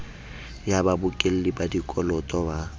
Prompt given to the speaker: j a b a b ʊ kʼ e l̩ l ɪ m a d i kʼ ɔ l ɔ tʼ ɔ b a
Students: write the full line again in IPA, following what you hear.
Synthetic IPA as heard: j a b a b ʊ kʼ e l̩ l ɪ b a d i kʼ ɔ l ɔ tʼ ɔ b a

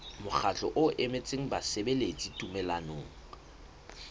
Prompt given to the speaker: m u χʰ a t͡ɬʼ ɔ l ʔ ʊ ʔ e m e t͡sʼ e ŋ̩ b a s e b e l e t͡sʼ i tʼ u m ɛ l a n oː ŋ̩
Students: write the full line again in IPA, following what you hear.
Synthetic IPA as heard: m ʊ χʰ a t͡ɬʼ ɔ ʔ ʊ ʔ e m e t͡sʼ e ŋ̩ b a s e b e l e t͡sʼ i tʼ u m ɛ l a n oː ŋ̩

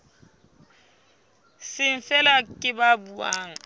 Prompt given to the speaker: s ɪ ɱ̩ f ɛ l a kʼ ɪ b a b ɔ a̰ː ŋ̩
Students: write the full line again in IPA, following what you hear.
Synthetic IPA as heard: s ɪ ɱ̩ f ɛ l a kʼ ɪ b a b u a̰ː ŋ̩

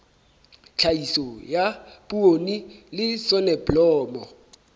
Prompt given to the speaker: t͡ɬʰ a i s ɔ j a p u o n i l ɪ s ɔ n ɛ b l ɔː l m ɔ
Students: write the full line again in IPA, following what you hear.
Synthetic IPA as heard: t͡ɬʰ a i s ɔ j a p u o n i l ɪ s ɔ n ɛ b l ɔː m ɔ

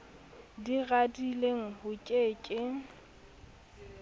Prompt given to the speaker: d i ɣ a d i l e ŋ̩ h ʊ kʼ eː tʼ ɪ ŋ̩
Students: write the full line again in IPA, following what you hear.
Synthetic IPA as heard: d i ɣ a d i l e ŋ̩ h ʊ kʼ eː kʼ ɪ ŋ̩

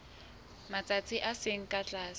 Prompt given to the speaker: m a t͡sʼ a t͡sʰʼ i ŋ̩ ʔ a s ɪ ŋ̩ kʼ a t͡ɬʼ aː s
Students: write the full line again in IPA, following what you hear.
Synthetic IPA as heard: m a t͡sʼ a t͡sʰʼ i ʔ a s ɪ ŋ̩ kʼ a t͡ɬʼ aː s

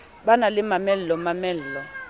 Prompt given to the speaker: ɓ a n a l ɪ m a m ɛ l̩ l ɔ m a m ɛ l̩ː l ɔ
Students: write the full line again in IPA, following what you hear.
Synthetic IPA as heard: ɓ a n a l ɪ m a m ɛ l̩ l ɔ m a m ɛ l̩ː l ɔ

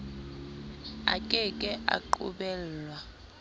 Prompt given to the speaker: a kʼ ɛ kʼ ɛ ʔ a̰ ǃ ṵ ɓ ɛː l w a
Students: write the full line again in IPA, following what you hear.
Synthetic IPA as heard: a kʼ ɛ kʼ ɛ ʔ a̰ ǃ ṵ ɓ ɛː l w a

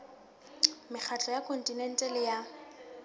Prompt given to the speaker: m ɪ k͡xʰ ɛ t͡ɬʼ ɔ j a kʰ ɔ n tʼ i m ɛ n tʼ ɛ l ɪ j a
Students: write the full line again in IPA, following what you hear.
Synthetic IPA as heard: m ɪ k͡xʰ a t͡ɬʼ ɔ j a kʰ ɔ n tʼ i n ɛ n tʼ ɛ l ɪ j a

